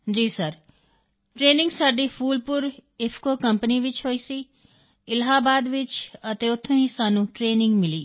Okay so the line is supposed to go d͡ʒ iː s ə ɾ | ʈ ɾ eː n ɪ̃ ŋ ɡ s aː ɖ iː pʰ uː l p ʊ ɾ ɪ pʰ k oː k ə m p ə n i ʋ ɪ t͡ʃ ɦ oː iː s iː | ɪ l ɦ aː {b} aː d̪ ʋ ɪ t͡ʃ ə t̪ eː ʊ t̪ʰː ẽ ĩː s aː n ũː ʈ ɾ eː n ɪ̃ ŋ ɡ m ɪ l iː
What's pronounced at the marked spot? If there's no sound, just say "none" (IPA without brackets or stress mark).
b